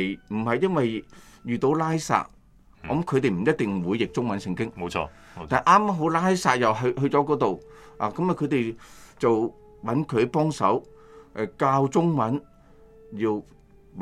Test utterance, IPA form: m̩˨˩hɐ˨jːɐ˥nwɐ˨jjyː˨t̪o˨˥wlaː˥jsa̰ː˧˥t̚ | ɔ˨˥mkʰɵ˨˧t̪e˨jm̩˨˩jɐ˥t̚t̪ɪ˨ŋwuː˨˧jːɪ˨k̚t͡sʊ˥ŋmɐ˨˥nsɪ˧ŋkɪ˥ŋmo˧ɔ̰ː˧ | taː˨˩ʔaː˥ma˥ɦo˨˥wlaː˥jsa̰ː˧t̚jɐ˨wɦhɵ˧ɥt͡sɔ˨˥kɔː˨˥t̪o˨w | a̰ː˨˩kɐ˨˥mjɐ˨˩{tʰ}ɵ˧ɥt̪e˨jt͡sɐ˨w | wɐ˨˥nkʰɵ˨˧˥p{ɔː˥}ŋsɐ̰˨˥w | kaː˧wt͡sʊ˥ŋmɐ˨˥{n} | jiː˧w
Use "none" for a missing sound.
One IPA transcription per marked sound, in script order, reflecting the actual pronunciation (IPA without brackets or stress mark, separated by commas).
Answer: kʰ, ɔː˥, n